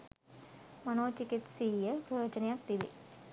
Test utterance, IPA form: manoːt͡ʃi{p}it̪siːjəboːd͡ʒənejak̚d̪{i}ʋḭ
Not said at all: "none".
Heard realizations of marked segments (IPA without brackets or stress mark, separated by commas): k, i